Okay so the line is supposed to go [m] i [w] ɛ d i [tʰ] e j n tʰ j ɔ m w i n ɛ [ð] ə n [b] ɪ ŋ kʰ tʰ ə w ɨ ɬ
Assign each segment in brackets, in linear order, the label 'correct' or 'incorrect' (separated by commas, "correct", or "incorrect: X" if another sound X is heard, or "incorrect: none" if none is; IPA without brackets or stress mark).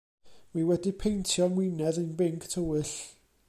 correct, correct, incorrect: pʰ, correct, correct